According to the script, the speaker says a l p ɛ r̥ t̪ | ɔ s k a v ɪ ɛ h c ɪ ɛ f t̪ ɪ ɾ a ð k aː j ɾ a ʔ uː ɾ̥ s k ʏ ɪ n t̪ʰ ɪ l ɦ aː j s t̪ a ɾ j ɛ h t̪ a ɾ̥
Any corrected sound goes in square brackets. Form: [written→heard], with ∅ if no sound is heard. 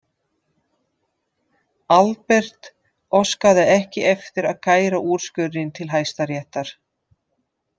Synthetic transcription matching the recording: a l p ɛ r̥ t̪ | ɔ s k a [v→ð] ɪ ɛ h c ɪ ɛ f t̪ ɪ ɾ a ð k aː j ɾ a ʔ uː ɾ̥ s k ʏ ɪ n t̪ʰ ɪ l ɦ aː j s t̪ a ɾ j ɛ h t̪ a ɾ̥